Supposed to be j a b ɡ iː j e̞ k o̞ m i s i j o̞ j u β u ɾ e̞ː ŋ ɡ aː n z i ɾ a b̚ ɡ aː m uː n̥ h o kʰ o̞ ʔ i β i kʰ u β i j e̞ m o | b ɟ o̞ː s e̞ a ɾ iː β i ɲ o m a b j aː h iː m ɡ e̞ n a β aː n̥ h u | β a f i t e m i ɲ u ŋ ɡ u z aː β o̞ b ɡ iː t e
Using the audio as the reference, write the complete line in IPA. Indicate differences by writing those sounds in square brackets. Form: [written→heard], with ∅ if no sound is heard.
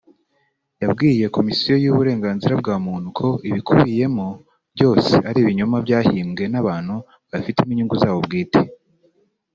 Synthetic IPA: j a b ɡ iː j e̞ k o̞ m i s i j o̞ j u β u ɾ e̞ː ŋ ɡ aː n z i ɾ a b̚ ɡ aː m uː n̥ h [o→u] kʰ o̞ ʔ i β i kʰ u β i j e̞ m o | b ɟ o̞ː s e̞ a ɾ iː β i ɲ o m a b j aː h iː m ɡ e̞ n a β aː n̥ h u | β a f i t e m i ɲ u ŋ ɡ u z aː β o̞ b ɡ iː t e